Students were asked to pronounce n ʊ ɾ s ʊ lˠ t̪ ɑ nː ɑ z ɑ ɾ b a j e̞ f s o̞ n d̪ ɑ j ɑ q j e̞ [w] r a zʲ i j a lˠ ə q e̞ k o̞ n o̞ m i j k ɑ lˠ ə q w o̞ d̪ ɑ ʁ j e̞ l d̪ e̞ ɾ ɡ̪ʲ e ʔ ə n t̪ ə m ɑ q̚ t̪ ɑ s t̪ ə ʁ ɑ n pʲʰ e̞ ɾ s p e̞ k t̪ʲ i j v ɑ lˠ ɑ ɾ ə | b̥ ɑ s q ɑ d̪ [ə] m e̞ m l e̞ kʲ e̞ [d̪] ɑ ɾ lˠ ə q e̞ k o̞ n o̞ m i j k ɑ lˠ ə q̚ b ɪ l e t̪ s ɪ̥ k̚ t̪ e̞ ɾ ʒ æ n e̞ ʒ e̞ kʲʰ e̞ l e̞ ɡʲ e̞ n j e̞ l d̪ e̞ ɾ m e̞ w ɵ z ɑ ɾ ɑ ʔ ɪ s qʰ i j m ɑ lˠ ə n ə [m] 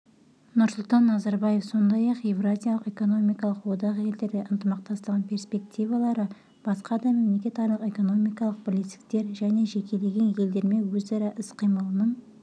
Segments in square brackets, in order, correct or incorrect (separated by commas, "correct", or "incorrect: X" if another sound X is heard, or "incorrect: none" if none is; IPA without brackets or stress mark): incorrect: v, incorrect: ɑ, incorrect: t̪, incorrect: ɴ